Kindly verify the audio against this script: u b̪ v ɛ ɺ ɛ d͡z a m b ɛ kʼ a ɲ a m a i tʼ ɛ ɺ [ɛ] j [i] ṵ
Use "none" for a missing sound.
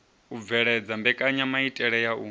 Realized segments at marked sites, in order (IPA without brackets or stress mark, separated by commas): ɛ, a